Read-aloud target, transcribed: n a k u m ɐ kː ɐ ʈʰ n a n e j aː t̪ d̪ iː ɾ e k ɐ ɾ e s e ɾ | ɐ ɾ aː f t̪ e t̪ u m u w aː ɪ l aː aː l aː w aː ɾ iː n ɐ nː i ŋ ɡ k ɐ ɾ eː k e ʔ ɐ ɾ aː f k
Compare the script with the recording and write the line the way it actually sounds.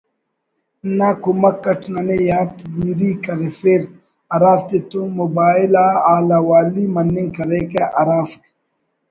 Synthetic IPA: n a k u m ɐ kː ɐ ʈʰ n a n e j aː t̪ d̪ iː ɾ i k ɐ ɾ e f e ɾ | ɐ ɾ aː f t̪ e t̪ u m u b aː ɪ l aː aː l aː w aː l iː m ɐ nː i ŋ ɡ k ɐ ɾ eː k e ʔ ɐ ɾ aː f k